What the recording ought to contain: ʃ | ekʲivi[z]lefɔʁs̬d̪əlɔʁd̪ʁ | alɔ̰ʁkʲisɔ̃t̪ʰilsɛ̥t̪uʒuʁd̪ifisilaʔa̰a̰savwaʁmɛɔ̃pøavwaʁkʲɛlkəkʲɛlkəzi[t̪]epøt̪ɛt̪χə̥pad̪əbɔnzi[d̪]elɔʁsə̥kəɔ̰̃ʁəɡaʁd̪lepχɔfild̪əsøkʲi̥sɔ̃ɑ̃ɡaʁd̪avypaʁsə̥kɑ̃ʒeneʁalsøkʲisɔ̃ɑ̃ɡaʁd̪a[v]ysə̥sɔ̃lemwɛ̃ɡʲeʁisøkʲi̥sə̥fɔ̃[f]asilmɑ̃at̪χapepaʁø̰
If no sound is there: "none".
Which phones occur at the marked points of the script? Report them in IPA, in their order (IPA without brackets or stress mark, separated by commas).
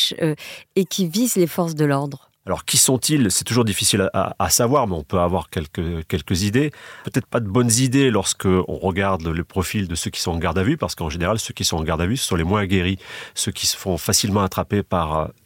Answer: z, d̪, d̪, v, f